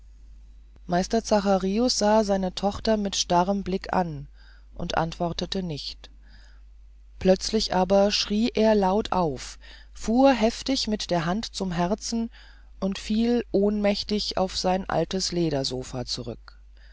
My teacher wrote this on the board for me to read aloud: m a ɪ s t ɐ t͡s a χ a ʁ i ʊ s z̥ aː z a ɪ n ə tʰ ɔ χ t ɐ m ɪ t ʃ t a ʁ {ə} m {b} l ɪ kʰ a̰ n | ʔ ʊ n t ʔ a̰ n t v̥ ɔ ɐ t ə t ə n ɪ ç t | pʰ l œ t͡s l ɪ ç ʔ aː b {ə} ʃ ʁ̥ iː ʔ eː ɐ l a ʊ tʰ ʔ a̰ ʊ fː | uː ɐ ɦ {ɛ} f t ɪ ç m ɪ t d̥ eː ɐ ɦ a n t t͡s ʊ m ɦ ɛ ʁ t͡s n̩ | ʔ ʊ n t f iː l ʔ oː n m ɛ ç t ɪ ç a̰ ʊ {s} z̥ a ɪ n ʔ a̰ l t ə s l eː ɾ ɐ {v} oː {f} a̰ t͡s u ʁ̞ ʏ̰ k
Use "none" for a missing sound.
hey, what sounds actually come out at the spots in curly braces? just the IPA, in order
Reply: ə, b, ɐ, ɛ, f, z, f

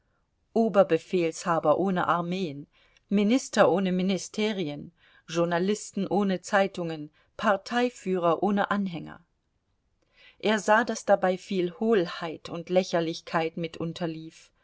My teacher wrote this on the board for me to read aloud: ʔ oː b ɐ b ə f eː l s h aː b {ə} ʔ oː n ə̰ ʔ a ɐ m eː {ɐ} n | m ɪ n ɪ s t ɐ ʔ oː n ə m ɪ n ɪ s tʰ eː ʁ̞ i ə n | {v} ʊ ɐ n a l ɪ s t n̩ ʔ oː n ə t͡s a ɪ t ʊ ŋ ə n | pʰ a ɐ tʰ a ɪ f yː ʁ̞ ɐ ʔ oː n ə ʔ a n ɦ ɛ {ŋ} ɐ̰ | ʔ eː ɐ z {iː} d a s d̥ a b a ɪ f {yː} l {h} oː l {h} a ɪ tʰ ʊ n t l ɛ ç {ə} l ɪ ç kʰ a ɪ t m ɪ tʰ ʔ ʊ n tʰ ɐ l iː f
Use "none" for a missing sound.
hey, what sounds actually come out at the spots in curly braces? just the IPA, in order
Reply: ɐ, ə, ʒ, ŋ, aː, iː, h, h, ɐ

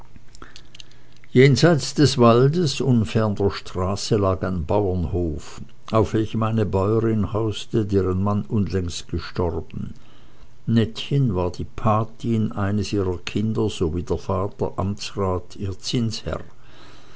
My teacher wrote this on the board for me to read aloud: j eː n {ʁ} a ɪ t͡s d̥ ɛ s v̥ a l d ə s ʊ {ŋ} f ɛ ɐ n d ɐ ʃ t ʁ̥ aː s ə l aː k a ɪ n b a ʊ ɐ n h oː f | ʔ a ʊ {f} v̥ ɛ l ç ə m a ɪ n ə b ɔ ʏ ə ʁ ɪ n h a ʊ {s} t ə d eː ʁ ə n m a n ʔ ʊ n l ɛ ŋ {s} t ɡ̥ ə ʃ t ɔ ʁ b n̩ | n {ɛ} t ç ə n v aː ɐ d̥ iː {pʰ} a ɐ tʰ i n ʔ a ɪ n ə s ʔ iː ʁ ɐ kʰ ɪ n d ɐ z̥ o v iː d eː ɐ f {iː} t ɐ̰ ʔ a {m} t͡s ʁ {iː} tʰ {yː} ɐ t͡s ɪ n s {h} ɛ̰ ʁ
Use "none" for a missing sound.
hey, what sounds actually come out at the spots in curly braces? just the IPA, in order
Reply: z, n, f, s, s, ɛ, pʰ, aː, m, aː, iː, h

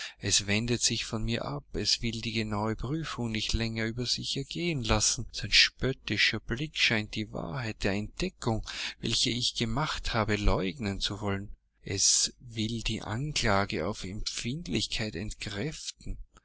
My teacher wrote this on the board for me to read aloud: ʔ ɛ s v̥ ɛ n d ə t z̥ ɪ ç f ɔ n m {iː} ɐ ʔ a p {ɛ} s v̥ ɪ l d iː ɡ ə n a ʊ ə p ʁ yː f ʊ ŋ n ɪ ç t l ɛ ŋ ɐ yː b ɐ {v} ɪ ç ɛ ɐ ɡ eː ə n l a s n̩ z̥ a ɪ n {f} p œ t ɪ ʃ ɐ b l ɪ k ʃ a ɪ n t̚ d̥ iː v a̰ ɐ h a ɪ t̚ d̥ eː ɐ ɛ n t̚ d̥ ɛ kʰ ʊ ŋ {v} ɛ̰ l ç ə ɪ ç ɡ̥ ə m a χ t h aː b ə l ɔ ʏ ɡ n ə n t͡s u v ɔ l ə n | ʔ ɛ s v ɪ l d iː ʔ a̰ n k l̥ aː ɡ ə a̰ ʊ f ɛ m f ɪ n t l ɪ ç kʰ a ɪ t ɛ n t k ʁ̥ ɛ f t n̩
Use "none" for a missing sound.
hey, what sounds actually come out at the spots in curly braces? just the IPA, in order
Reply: iː, ɛ, z, ʃ, v

